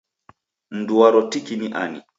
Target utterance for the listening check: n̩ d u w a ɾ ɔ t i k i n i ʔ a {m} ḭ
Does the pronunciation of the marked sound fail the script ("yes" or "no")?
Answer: yes